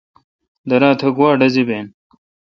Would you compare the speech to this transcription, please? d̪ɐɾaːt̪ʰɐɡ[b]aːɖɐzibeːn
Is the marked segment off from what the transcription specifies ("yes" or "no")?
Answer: yes